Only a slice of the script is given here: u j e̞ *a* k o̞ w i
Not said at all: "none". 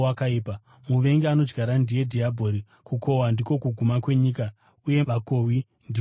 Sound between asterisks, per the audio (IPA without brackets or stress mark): a